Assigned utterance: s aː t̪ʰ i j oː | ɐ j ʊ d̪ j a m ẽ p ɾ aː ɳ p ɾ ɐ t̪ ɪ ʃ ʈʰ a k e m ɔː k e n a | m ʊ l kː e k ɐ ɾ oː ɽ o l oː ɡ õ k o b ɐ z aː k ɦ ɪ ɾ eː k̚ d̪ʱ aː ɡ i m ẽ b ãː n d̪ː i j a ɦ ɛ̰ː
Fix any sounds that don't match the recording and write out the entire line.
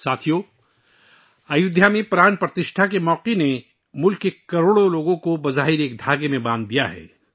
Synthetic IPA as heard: s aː t̪ʰ i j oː | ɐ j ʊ d̪ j a m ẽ p ɾ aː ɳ p ɾ ɐ t̪ ɪ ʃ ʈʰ a k e m ɔː q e n e | m ʊ l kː e k ɐ ɾ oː ɽ o l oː ɡ õ k o b ɐ z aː ɦ ɪ ɾ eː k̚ d̪ʱ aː ɡ e m ẽ b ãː n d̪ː i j a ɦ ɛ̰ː